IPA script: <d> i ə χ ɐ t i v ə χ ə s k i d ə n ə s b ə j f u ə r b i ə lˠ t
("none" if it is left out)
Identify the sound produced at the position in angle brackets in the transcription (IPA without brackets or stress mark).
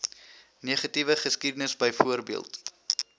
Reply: n